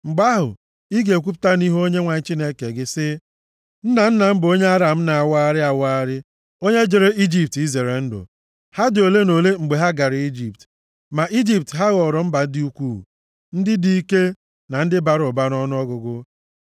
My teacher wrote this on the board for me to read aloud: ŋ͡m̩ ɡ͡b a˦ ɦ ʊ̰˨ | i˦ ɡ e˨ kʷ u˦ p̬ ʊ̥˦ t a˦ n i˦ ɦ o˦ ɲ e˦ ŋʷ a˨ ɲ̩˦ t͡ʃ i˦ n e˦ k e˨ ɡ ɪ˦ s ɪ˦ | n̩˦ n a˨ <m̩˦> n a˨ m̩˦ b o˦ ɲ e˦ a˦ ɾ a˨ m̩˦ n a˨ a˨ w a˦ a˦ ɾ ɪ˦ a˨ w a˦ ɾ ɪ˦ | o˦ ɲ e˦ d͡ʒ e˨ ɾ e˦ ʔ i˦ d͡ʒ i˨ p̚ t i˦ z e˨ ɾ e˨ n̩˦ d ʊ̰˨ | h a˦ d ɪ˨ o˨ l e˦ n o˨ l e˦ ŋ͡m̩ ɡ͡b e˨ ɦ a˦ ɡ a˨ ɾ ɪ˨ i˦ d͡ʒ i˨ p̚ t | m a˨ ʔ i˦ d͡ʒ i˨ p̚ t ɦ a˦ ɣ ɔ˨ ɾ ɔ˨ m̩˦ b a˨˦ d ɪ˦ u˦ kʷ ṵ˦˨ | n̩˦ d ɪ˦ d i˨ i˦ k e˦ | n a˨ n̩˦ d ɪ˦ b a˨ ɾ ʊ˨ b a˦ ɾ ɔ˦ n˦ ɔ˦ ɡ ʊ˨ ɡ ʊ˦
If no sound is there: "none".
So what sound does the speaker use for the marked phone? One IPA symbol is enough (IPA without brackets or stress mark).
n̩˦